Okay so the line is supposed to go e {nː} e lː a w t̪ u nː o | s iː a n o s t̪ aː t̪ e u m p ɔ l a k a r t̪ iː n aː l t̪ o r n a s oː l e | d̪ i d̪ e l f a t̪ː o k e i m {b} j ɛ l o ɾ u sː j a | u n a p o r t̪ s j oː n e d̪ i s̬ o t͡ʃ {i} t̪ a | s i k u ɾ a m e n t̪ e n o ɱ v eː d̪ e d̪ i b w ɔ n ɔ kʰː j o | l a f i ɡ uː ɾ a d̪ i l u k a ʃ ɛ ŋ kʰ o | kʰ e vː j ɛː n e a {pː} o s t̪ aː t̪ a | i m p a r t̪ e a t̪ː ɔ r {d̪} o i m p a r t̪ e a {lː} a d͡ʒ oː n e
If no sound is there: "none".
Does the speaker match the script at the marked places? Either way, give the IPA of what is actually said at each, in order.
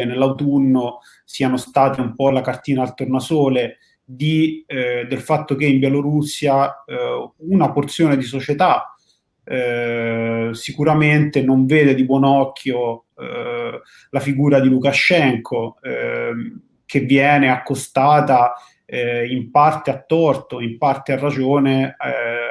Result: n, b, e, kː, t̪, rː

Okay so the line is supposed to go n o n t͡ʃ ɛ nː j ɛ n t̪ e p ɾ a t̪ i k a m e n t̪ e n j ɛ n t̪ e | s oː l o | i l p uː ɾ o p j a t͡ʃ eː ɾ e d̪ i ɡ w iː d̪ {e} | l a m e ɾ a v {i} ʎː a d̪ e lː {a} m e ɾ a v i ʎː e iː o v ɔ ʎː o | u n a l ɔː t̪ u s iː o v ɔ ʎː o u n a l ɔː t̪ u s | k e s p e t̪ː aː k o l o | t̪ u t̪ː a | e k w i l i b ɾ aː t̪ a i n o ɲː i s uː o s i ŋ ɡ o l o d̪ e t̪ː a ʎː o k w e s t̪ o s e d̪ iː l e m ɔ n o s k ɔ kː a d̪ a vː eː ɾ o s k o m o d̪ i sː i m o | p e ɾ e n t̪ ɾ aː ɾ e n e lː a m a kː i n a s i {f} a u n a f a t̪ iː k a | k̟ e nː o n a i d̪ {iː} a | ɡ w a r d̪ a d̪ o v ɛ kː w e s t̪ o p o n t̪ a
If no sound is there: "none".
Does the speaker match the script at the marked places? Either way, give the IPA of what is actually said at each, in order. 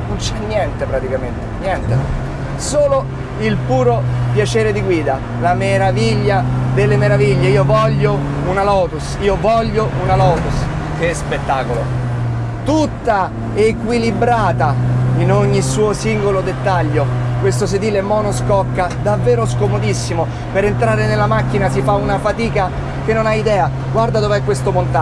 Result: a, i, e, f, ɛː

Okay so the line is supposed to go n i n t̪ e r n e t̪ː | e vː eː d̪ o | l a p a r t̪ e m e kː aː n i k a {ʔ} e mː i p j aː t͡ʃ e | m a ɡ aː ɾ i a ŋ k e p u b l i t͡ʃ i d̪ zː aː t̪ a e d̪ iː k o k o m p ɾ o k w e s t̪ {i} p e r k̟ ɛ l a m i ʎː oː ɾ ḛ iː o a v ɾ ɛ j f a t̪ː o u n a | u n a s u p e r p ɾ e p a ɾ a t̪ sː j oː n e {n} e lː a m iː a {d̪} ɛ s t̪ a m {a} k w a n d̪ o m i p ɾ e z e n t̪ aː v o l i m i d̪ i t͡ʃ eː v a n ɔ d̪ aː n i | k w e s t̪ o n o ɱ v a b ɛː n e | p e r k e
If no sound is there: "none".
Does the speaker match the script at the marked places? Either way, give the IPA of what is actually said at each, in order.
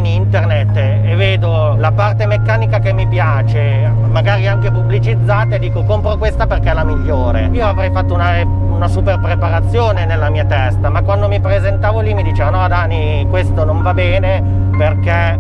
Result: k, a, n, t̪, a

